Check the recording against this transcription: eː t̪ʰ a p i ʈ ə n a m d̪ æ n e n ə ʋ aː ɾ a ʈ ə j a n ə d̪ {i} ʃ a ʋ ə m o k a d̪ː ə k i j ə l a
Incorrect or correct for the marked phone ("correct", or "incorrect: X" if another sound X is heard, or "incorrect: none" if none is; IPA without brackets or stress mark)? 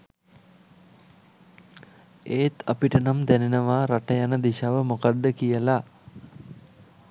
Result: correct